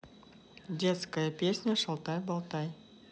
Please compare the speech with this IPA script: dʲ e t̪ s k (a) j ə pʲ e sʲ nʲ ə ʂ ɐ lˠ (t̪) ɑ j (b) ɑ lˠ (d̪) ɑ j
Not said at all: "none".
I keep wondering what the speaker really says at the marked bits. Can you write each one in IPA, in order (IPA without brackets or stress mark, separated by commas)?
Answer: ə, t̪, b, t̪